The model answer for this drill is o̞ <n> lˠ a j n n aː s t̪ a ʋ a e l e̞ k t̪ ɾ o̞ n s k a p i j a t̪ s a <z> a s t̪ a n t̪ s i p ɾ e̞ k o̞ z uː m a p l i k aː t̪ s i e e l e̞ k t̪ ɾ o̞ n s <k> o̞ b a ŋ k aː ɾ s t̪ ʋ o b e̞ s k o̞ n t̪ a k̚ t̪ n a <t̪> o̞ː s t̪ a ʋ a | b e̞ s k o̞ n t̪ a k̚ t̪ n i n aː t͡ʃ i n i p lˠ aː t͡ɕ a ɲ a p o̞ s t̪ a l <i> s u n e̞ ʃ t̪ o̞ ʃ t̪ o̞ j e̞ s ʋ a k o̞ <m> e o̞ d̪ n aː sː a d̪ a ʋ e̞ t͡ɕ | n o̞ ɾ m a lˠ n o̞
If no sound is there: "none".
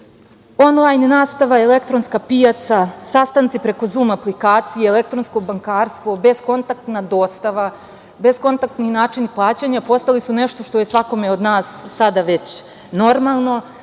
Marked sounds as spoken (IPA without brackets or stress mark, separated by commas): n, s, k, d̪, i, m